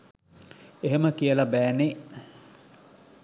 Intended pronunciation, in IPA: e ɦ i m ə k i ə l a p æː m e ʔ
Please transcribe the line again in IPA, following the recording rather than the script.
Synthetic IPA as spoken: e ɦ e m ə k i ə l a b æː n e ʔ